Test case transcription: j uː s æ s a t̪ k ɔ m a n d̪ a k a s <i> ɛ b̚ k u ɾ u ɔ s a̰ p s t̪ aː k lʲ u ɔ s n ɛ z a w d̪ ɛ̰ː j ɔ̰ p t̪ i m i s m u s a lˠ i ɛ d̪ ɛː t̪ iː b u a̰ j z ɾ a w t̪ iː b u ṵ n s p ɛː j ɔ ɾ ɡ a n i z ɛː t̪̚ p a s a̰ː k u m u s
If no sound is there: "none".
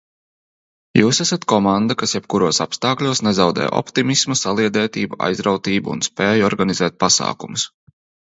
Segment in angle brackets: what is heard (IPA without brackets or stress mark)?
j